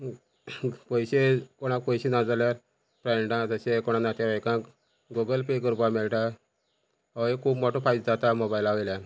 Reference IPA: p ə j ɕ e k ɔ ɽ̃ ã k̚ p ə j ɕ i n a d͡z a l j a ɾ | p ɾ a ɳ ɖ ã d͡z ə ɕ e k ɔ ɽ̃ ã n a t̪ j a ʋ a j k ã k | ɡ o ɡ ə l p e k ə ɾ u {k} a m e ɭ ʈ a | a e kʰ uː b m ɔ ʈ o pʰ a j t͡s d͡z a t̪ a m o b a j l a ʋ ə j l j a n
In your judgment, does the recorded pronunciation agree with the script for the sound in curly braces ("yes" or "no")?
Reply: no